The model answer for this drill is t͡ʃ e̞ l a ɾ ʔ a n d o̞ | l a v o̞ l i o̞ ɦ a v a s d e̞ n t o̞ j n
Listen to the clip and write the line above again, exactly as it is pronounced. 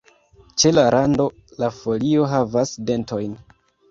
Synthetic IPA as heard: t͡ʃ e̞ l a ɾ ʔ a n d o̞ | l a f o̞ l i o̞ ɦ a v a s d e̞ n t o̞ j n